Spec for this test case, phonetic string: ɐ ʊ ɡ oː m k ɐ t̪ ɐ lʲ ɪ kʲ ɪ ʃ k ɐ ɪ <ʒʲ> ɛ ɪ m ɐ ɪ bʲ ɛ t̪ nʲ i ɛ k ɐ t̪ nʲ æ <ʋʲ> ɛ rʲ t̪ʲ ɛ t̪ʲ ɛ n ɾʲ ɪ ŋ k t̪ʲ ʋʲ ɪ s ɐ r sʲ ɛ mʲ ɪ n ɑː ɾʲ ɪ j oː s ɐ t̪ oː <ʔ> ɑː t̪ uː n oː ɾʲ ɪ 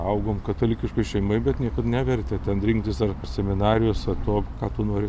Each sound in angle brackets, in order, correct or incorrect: incorrect: ʃʲ, correct, incorrect: k

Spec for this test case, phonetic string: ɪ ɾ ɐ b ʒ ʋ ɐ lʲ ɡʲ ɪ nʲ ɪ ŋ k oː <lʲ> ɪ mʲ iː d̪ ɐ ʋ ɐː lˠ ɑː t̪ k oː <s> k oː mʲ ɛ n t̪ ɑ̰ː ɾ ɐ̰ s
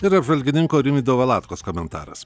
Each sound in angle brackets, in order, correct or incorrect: incorrect: ɾʲ, correct

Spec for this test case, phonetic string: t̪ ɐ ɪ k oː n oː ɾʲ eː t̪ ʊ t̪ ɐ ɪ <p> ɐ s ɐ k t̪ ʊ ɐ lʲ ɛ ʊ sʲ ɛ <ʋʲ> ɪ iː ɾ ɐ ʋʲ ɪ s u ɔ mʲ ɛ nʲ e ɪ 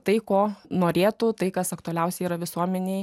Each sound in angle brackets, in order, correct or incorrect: incorrect: k, incorrect: none

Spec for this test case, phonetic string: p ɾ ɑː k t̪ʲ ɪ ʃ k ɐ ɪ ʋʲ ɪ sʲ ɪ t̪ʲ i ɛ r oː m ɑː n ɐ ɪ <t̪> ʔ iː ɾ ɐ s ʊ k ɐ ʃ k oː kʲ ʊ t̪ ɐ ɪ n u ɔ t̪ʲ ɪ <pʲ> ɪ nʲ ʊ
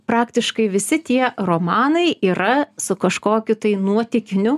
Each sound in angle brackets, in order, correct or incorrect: incorrect: none, incorrect: kʲ

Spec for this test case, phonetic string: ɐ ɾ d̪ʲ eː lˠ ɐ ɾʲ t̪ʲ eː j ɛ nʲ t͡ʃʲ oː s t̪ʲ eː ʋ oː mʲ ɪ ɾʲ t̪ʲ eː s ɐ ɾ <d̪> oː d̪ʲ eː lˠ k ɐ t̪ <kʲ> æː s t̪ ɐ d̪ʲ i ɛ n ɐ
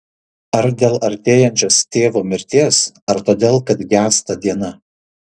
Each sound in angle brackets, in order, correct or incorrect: incorrect: t̪, incorrect: ɡʲ

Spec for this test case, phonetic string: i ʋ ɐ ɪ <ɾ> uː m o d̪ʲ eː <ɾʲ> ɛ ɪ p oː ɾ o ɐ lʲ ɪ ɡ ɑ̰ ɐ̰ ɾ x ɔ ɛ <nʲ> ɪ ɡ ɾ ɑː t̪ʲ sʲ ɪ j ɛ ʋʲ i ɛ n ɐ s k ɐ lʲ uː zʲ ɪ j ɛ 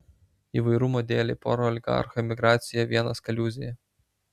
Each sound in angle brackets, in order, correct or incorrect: correct, incorrect: lʲ, incorrect: mʲ

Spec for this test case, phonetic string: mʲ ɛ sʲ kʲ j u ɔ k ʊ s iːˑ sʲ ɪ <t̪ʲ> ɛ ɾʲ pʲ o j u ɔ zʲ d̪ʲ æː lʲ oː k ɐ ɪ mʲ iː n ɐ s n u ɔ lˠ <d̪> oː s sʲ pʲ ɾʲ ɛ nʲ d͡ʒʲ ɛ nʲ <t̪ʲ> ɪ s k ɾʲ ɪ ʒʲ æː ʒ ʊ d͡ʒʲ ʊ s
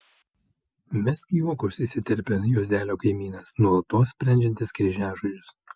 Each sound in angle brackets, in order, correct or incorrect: correct, incorrect: t̪, correct

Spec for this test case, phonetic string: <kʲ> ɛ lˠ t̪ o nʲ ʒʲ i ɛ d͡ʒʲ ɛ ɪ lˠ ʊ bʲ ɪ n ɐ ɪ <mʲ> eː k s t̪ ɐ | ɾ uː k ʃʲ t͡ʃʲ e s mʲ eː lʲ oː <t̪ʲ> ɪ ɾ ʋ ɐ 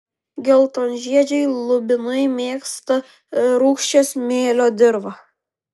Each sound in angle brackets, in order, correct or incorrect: incorrect: ɡʲ, correct, incorrect: d̪ʲ

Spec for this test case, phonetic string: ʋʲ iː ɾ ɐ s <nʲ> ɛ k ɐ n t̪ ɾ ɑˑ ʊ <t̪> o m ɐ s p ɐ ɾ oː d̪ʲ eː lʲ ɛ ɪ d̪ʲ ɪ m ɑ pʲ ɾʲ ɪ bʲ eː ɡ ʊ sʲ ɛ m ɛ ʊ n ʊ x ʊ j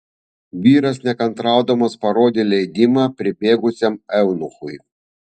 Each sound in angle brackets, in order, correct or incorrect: correct, incorrect: d̪

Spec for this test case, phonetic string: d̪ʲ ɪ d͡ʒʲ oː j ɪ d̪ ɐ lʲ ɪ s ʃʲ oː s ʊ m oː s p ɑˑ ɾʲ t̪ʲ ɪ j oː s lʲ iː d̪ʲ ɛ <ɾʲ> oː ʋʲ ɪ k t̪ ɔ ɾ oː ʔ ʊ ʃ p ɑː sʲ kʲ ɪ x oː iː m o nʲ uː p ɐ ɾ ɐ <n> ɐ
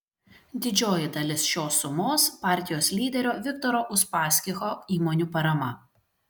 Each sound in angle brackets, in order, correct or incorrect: correct, incorrect: m

